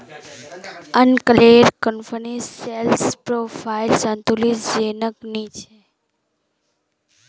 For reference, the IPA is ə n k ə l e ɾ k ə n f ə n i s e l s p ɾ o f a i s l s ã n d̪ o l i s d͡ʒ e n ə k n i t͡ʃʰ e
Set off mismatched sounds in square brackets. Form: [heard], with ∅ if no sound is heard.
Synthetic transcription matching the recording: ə n k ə l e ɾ k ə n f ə n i s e l s p ɾ o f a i [∅] l s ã n [t̪] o l i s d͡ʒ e n ə k n i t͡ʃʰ e